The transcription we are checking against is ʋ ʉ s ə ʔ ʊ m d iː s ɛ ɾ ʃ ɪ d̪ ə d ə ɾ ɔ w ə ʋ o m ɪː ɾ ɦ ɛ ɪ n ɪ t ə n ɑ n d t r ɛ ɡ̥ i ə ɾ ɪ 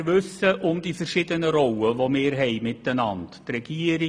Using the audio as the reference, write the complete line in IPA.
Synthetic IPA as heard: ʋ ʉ s ə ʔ ʊ m d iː f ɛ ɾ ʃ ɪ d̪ ə n ə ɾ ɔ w ə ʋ o m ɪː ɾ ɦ ɛ ɪ m ɪ t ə n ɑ n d t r ɛ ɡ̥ i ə ɾ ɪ